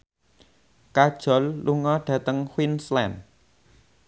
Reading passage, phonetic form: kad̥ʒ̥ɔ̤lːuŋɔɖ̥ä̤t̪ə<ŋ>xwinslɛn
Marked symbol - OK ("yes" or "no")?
yes